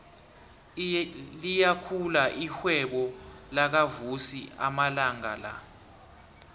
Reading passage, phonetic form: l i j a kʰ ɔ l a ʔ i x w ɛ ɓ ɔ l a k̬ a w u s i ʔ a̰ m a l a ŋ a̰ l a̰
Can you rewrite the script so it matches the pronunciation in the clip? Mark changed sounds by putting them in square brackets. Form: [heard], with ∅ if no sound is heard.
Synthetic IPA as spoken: l i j a kʰ [u] l a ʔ i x w ɛ ɓ ɔ l a k̬ a [v] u s i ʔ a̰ m a l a ŋ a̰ l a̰